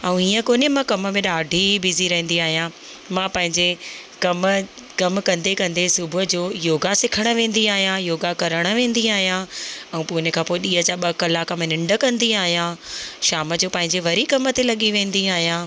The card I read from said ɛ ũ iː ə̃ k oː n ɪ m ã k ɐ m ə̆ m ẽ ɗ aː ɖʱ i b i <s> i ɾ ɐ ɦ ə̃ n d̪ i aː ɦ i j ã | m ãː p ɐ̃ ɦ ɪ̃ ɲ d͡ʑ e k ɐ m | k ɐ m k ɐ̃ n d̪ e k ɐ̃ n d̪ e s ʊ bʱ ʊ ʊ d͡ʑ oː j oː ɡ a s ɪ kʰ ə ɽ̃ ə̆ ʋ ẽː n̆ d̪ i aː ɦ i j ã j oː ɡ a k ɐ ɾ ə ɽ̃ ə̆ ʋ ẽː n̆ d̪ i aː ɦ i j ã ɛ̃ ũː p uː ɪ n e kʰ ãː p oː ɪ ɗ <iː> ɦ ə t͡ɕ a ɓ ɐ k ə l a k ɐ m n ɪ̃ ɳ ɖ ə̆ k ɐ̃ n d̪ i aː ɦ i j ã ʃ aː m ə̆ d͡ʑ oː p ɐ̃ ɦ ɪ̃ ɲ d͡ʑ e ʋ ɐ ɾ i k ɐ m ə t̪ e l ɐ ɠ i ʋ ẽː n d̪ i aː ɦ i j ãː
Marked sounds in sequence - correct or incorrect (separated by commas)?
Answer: incorrect, correct